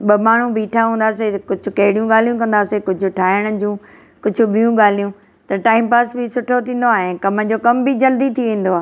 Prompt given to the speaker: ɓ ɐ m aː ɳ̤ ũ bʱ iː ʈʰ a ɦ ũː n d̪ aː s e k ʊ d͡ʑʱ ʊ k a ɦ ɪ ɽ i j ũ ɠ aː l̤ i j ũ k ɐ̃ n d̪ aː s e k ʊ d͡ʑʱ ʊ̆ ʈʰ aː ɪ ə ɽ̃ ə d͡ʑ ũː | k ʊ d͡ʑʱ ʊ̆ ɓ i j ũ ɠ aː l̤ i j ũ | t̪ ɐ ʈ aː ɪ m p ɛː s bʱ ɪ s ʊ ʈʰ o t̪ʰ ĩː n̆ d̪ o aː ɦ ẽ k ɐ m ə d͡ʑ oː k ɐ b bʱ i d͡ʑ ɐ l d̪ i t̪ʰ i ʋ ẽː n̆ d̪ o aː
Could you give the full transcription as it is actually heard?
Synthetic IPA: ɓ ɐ m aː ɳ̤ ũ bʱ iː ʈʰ a ɦ ũː n d̪ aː s e k ʊ d͡ʑʱ ʊ k ɐ ɦ ɪ ɽ i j ũ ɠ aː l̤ i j ũ k ɐ̃ n d̪ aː s e k ʊ d͡ʑʱ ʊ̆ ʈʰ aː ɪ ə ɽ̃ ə d͡ʑ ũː | k ʊ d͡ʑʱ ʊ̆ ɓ i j ũ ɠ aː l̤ i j ũ | t̪ ɐ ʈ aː ɪ m p aː s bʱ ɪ s ʊ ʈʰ o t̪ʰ ĩː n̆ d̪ o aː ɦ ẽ k ɐ m ə d͡ʑ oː k ɐ m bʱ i d͡ʑ ɐ l d̪ i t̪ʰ i ʋ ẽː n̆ d̪ o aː

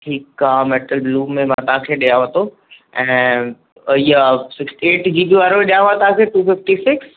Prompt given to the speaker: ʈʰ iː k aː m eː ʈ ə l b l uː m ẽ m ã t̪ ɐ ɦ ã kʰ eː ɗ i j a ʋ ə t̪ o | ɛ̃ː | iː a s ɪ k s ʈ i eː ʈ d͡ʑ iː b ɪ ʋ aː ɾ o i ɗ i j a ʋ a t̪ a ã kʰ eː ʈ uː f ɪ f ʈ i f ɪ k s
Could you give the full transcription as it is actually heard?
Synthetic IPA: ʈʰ iː k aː m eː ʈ ə l b l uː m ẽ m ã t̪ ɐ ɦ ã kʰ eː ɗ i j a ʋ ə t̪ o | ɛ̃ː | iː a s ɪ k s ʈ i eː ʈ d͡ʑ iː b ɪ ʋ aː ɾ o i ɗ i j a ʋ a t̪ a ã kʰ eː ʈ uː f ɪ f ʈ i s ɪ k s

